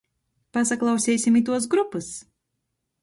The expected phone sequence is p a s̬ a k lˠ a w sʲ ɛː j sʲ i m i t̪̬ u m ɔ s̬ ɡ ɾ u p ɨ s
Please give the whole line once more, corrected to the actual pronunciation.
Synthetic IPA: p a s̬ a k lˠ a w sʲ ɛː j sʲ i m i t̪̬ u ɔ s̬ ɡ ɾ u p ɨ s